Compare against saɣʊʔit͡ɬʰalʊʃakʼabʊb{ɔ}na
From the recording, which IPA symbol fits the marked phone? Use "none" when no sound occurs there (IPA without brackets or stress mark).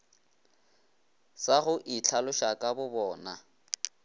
ɔː